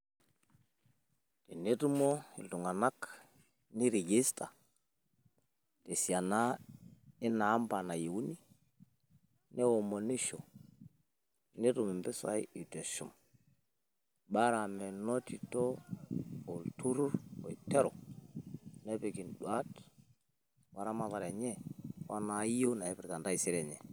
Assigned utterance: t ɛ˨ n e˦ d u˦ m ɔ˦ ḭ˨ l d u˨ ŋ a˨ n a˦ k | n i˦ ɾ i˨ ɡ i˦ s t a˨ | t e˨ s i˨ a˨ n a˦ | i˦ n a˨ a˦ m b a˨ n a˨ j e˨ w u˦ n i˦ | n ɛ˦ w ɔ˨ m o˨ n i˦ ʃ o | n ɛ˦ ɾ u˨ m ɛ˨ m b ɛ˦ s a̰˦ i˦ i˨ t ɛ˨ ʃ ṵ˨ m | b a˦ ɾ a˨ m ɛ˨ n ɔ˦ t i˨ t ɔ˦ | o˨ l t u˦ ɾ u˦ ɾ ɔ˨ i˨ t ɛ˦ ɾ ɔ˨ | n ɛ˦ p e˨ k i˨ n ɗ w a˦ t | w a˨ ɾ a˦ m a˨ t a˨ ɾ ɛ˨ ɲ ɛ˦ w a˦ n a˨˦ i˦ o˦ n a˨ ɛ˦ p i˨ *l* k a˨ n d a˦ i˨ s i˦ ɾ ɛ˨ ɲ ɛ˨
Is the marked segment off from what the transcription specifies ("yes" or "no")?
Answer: yes